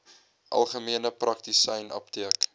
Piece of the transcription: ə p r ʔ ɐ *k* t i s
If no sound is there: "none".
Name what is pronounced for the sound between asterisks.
k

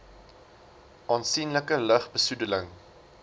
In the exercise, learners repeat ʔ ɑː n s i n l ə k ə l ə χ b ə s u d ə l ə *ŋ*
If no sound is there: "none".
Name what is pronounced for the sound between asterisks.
ŋ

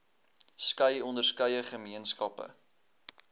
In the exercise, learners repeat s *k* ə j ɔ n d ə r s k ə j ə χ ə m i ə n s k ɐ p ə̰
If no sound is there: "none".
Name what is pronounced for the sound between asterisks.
k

